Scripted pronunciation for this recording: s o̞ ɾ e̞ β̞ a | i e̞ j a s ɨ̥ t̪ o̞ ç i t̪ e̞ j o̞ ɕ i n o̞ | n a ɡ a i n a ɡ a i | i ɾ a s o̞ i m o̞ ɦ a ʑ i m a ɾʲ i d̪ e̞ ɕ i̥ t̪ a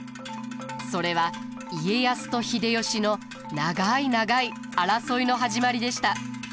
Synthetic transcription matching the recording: s o̞ ɾ e̞ β̞ a | i e̞ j a s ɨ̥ t̪ o̞ ç i d̪ e̞ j o̞ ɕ i n o̞ | n a ɡ a i n a ɡ a i | a ɾ a s o̞ i n o̞ ɦ a ʑ i m a ɾʲ i d̪ e̞ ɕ i̥ t̪ a